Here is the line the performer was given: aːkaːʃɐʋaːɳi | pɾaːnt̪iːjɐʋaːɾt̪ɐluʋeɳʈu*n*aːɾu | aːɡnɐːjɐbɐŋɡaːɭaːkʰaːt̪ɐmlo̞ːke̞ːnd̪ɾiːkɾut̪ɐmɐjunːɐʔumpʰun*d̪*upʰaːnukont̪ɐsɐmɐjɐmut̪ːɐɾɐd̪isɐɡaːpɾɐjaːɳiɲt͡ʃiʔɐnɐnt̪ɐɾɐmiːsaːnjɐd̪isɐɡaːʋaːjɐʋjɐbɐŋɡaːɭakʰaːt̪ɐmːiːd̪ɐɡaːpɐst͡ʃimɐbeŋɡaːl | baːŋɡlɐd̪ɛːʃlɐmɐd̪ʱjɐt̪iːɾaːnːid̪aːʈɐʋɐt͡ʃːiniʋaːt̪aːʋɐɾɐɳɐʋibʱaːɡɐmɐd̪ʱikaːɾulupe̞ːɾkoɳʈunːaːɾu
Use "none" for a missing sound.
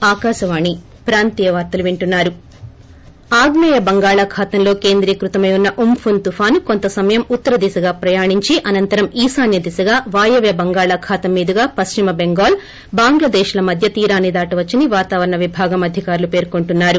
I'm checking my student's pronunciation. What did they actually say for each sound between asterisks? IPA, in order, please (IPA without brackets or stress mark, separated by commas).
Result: nː, t̪